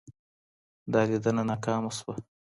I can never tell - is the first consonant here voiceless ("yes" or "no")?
no